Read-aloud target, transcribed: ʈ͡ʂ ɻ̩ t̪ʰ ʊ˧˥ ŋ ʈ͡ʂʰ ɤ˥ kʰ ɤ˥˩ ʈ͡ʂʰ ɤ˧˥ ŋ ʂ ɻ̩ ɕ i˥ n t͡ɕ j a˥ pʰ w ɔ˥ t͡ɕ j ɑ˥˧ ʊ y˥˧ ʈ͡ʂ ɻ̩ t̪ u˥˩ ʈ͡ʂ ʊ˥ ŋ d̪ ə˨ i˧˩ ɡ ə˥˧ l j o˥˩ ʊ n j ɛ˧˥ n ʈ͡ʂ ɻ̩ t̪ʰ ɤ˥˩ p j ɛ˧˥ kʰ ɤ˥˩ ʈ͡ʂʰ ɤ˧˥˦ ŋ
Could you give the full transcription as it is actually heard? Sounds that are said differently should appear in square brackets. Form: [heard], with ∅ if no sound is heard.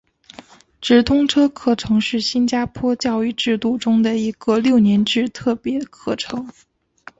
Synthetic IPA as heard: ʈ͡ʂ ɻ̩ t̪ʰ [ʊ˥] ŋ ʈ͡ʂʰ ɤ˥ kʰ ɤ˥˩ ʈ͡ʂʰ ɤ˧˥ ŋ ʂ ɻ̩ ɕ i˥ n t͡ɕ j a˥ pʰ w ɔ˥ t͡ɕ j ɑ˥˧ ʊ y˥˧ ʈ͡ʂ ɻ̩ t̪ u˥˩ ʈ͡ʂ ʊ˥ ŋ d̪ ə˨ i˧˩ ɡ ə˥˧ l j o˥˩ ʊ n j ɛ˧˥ n ʈ͡ʂ ɻ̩ t̪ʰ ɤ˥˩ p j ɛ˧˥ kʰ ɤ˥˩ ʈ͡ʂʰ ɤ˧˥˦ ŋ